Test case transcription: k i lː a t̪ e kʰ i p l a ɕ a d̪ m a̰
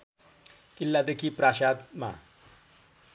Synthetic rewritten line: k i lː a d̪ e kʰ i p ɾ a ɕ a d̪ m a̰